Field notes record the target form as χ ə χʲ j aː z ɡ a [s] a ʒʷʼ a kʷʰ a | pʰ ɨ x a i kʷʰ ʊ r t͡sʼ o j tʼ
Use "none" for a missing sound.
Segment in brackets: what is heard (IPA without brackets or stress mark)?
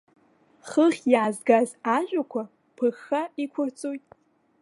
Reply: z